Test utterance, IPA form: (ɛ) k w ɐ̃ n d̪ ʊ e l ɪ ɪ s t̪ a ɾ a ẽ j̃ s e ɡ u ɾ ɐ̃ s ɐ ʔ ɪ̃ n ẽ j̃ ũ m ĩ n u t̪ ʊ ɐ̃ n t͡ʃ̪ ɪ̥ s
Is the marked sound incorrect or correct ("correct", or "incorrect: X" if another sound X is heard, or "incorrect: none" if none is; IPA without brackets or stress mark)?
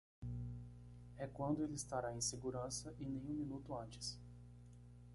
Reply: correct